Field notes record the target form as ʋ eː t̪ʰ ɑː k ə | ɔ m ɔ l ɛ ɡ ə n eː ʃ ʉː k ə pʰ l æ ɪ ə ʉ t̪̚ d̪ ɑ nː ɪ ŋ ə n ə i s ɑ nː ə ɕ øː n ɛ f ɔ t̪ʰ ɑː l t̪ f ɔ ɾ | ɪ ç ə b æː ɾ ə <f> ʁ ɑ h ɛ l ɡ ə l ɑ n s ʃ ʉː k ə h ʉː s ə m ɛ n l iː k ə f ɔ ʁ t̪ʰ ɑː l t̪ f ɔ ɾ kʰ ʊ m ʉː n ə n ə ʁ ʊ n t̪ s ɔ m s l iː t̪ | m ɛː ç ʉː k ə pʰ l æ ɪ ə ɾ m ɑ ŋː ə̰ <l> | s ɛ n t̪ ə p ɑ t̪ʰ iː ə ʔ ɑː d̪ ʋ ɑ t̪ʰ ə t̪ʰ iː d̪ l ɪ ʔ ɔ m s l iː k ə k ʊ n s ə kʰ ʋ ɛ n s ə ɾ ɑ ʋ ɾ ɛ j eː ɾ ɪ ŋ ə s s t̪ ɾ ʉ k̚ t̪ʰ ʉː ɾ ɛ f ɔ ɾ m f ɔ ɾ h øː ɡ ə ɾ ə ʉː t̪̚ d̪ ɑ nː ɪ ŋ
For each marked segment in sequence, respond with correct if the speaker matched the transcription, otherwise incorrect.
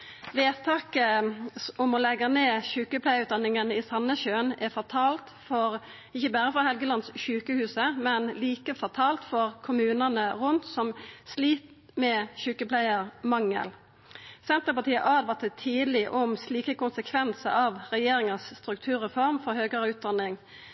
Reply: correct, correct

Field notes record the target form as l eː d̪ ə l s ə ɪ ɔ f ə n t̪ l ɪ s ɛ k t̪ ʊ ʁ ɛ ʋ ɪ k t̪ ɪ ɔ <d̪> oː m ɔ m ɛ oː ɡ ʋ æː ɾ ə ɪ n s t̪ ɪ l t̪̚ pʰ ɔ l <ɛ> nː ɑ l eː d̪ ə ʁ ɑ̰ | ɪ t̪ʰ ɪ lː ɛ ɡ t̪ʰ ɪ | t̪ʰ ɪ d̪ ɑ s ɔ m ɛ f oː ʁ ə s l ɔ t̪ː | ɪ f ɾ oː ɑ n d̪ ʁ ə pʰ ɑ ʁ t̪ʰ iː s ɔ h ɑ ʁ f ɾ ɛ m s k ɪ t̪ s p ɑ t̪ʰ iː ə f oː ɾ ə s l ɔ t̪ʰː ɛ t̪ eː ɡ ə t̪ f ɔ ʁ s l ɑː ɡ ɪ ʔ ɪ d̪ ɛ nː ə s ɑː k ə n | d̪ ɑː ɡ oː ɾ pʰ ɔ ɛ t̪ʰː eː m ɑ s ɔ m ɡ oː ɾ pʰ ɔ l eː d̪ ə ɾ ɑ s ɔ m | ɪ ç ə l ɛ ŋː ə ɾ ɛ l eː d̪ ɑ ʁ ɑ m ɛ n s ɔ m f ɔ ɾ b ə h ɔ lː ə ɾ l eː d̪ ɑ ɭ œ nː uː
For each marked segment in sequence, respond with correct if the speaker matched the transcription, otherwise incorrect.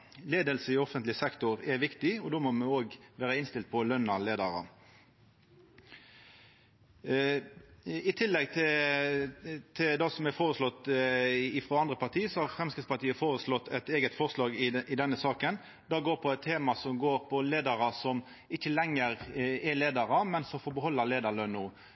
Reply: correct, incorrect

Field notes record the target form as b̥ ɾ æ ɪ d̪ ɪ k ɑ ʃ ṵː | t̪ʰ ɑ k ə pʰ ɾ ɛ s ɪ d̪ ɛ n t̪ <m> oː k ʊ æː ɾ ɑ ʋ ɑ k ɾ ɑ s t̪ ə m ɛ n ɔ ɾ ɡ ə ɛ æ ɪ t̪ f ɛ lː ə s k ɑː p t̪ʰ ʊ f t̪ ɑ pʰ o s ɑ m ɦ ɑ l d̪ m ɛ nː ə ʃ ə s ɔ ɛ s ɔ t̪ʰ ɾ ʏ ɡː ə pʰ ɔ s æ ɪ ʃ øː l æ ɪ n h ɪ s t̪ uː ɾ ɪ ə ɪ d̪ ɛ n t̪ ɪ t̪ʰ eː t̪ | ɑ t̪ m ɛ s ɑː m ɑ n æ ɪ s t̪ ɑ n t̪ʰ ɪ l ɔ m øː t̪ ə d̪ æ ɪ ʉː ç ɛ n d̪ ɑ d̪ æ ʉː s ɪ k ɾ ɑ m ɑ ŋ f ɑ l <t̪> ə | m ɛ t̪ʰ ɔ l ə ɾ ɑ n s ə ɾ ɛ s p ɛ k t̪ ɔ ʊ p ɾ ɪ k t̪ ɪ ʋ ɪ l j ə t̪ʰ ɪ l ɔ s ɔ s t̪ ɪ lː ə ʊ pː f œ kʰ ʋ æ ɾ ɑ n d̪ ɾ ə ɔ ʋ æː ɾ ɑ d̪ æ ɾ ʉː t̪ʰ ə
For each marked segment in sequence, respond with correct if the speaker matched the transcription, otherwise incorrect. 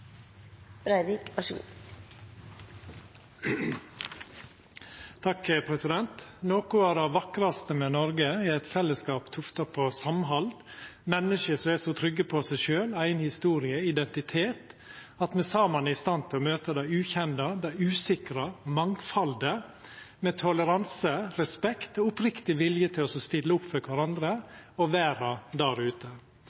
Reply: incorrect, incorrect

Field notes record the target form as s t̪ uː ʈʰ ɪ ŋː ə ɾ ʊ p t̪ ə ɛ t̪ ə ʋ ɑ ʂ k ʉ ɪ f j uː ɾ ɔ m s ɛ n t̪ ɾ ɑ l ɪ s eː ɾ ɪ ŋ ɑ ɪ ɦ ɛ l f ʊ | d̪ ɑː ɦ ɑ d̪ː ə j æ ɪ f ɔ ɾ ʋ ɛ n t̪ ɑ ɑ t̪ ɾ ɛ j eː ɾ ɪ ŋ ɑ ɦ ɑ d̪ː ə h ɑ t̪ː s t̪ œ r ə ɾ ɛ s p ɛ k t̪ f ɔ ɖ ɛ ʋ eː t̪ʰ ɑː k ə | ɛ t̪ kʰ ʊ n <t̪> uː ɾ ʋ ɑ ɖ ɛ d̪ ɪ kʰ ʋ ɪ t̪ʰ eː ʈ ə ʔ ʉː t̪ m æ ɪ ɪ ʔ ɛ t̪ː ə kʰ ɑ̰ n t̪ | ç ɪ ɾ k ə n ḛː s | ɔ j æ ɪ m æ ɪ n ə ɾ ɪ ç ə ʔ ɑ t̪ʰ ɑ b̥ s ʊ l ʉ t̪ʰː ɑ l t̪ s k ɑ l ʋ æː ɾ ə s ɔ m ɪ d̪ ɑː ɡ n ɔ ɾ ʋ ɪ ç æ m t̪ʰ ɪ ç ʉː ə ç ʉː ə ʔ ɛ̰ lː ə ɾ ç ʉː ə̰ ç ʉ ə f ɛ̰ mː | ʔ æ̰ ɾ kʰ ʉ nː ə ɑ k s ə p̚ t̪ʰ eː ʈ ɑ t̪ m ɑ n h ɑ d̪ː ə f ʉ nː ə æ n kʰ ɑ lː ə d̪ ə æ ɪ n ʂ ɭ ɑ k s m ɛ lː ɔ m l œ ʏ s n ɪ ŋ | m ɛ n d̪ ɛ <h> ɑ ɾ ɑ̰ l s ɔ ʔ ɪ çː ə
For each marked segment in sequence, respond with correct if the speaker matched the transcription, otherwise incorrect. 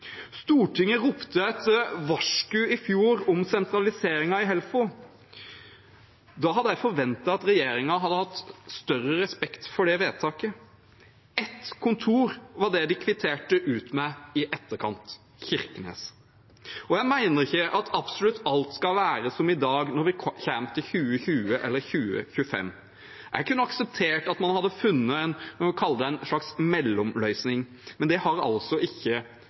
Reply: incorrect, correct

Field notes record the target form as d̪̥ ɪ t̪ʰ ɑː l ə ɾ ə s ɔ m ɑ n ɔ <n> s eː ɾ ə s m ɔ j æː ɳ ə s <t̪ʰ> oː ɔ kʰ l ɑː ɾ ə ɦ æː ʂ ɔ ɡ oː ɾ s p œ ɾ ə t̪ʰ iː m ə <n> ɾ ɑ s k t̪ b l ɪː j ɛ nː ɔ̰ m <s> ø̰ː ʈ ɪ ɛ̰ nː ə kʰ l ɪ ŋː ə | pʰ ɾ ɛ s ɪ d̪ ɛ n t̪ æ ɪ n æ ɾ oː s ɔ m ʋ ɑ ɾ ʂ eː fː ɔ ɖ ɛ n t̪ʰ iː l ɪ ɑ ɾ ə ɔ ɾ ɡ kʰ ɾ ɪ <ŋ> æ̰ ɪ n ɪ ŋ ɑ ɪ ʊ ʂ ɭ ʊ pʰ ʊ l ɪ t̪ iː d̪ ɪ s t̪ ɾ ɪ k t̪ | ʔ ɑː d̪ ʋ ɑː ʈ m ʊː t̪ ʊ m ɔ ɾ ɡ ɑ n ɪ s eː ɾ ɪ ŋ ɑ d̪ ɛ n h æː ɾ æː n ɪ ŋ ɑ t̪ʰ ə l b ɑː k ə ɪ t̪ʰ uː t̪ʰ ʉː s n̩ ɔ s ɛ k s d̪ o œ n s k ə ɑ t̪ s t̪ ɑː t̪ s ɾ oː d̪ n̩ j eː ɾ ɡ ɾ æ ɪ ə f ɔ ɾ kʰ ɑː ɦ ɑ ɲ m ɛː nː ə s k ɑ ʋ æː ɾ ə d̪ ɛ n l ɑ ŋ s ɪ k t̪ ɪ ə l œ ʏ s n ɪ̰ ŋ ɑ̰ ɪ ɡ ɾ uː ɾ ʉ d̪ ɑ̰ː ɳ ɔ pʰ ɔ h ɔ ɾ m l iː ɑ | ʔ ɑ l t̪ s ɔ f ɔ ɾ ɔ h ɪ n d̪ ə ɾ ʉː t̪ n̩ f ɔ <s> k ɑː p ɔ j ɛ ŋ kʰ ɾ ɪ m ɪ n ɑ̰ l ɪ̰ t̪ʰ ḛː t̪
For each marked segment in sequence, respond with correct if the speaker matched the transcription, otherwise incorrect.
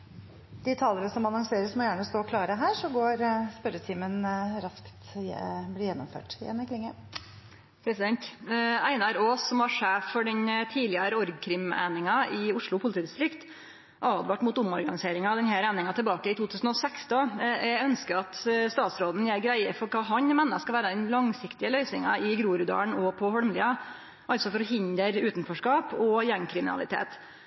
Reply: incorrect, incorrect, correct, incorrect, incorrect, incorrect

